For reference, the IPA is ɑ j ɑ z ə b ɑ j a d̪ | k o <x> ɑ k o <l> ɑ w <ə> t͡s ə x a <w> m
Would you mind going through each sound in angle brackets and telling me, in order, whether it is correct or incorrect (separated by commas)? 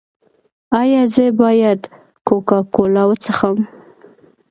incorrect, correct, correct, incorrect